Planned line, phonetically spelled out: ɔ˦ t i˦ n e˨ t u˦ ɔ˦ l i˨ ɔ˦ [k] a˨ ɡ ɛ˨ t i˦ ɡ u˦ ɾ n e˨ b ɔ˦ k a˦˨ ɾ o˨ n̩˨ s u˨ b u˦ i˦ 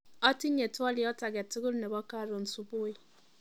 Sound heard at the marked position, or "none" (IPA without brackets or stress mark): t